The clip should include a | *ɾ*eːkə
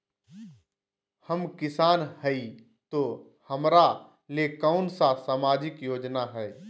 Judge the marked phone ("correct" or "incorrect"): incorrect